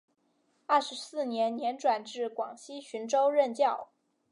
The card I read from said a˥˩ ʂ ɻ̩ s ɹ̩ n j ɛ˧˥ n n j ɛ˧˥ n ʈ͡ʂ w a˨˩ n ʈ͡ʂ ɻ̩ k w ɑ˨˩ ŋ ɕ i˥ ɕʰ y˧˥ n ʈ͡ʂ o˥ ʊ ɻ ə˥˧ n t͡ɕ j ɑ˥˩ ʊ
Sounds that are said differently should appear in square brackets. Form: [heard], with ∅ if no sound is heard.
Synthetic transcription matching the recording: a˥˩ ʂ ɻ̩ s ɹ̩ n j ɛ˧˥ n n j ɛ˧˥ n ʈ͡ʂ w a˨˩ n ʈ͡ʂ ɻ̩ k w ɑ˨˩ ŋ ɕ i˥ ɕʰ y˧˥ n ʈ͡ʂ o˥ ʊ ɻ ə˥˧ n t͡ɕ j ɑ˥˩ ʊ